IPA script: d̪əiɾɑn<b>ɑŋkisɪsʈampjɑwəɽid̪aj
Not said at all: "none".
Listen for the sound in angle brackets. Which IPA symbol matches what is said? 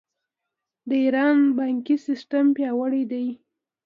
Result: b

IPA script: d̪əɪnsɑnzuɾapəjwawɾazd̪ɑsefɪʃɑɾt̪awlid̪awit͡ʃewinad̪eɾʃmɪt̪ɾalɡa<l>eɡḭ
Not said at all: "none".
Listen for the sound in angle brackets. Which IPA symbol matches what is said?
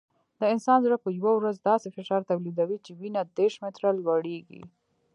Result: ɽ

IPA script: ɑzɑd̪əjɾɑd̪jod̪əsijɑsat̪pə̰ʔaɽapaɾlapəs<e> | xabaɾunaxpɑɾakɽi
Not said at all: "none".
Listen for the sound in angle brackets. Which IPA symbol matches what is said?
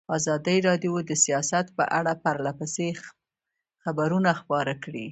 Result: e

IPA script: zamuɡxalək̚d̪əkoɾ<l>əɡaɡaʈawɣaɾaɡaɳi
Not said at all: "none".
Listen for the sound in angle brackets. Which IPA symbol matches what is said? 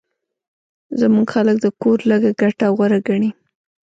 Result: l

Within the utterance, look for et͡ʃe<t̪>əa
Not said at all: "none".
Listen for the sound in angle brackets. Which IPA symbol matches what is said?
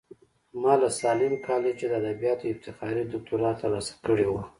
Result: d̪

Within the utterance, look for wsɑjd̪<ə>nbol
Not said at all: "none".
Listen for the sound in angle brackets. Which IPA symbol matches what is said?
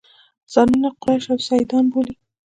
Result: ɑ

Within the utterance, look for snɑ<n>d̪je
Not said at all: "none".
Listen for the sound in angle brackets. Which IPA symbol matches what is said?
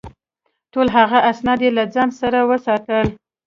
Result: none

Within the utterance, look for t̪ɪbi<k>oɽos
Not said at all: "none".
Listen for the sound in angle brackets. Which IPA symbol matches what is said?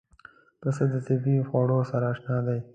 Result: x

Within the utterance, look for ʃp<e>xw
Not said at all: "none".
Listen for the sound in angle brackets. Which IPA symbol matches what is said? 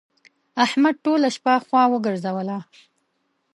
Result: a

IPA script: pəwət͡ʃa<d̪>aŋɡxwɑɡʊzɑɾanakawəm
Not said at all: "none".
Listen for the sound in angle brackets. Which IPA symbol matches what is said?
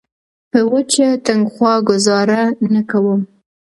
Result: t̪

